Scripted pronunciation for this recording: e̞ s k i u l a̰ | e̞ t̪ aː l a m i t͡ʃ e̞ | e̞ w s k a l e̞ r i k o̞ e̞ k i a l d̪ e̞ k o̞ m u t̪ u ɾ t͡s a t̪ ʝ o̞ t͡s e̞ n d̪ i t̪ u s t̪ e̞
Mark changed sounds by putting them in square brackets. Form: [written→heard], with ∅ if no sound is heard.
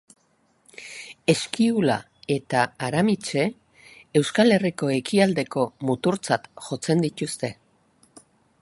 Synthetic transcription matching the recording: e̞ s k i u l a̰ | e̞ t̪ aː [l→ɾ] a m i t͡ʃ e̞ | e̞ w s k a l e̞ r i k o̞ e̞ k i a l d̪ e̞ k o̞ m u t̪ u ɾ t͡s a t̪ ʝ o̞ t͡s e̞ n d̪ i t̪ u s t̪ e̞